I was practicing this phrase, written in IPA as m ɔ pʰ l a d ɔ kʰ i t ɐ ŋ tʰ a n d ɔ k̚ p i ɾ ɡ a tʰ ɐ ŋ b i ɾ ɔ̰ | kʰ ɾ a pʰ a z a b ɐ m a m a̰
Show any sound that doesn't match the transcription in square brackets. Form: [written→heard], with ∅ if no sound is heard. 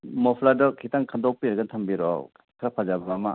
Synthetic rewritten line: m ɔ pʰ l a d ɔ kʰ i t [ɐ→a] ŋ [tʰ→kʰ] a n d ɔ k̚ p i ɾ ɡ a tʰ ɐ [ŋ→m] b i ɾ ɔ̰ | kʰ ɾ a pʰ a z a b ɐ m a m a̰

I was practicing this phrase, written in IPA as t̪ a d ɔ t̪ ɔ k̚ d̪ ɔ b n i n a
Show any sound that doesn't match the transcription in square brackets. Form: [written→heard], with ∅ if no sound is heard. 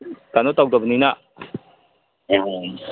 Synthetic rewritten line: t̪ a [d→n] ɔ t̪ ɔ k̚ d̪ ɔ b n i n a

